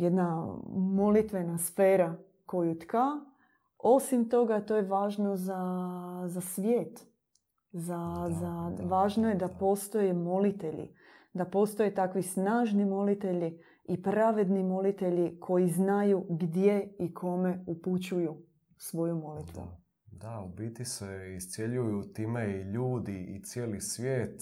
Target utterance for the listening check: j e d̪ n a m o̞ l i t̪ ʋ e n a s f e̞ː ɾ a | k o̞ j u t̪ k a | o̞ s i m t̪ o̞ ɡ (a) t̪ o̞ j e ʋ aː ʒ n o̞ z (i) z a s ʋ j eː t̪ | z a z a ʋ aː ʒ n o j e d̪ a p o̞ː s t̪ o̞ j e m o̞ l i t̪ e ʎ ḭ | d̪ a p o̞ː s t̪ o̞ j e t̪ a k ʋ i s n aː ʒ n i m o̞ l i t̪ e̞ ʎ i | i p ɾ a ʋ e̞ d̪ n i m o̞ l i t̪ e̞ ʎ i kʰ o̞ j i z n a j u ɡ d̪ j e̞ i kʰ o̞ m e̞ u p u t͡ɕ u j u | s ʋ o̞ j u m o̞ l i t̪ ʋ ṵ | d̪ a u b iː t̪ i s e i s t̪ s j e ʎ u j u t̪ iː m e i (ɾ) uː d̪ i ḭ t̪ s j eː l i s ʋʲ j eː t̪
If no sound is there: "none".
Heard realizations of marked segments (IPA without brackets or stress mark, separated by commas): a, a, ʎ